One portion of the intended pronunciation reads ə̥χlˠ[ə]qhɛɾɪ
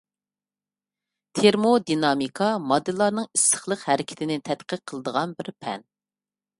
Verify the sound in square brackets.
correct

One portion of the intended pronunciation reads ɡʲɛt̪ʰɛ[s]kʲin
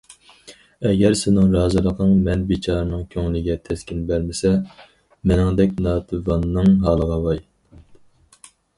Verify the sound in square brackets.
correct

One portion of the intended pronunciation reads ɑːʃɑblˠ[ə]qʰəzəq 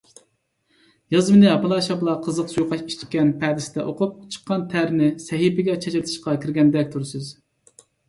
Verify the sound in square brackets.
incorrect: ɑ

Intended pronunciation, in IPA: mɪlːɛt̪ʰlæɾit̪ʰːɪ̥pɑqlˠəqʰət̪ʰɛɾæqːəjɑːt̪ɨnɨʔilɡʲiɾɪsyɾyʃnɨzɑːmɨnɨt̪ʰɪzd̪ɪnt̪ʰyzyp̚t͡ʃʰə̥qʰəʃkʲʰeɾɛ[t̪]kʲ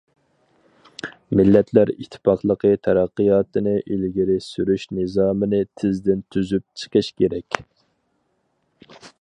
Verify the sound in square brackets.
incorrect: none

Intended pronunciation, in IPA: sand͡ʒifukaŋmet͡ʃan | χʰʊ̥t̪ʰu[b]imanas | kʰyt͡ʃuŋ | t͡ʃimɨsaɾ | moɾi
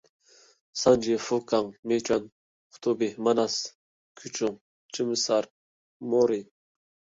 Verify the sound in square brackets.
correct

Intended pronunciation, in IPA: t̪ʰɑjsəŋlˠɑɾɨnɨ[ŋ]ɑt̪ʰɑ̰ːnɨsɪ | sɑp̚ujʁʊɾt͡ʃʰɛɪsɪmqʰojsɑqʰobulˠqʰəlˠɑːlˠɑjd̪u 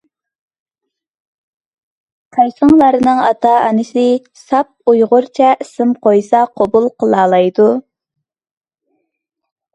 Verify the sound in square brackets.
correct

